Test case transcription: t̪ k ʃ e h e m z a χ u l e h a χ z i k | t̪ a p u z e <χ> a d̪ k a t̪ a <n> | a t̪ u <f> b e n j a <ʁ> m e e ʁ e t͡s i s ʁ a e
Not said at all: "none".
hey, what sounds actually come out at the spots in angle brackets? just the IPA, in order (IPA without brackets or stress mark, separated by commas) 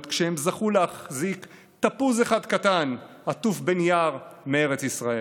χ, n, f, ʁ